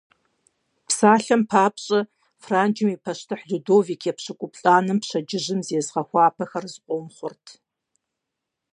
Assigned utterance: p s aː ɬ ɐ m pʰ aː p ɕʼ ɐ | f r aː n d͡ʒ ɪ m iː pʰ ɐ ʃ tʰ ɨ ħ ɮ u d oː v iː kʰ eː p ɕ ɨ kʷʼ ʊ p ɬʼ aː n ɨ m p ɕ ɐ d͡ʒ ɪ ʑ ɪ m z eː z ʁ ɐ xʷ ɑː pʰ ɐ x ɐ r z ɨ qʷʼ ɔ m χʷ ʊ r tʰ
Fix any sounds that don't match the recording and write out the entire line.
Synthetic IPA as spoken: p s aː ɬ ɐ m pʰ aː p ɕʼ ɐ | f r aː n d͡ʒ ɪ m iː pʰ ɐ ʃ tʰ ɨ ħ ɮ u d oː v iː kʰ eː p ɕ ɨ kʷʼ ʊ p ɬʼ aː n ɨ m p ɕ ɐ d͡ʒ ɪ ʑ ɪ m z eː z ʁ ɐ xʷ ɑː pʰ ɐ x ɐ r z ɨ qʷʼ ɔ m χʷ ʊ r tʰ